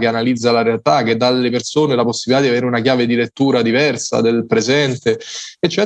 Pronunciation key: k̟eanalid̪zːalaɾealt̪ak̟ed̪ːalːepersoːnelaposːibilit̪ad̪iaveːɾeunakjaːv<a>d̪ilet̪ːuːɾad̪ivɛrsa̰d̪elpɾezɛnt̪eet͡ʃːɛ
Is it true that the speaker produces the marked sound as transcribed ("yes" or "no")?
no